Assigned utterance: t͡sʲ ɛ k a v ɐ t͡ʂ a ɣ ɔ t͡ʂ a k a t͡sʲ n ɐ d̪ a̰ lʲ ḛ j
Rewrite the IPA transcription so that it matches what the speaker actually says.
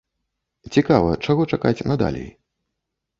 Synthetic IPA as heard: t͡sʲ i k a v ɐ t͡ʂ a ɣ ɔ t͡ʂ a k a t͡sʲ n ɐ d̪ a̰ lʲ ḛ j